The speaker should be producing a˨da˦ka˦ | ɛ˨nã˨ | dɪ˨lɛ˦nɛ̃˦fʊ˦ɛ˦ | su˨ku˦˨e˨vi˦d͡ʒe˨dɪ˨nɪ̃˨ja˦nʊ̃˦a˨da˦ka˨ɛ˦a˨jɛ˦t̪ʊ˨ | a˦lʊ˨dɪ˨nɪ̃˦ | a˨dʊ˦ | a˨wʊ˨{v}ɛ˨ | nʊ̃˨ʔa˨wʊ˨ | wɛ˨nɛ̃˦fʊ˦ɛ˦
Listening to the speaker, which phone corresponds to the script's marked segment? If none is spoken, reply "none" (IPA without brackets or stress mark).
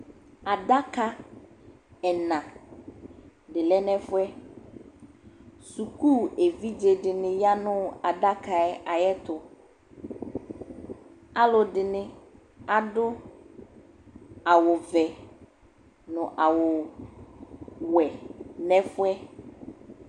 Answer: v